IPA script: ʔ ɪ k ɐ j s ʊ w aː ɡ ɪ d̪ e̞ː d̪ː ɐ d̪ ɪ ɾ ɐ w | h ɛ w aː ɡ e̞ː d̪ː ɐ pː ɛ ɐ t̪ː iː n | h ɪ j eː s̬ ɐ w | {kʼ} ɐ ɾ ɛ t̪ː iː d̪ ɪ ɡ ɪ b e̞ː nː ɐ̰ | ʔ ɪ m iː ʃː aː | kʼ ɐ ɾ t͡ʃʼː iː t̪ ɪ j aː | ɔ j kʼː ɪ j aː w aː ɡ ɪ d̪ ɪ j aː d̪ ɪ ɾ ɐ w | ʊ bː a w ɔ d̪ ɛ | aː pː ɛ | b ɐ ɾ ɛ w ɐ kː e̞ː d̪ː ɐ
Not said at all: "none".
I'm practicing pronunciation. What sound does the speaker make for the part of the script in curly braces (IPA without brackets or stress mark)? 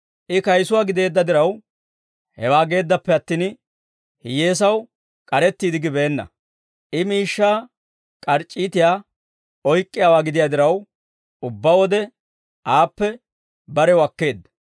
kʼ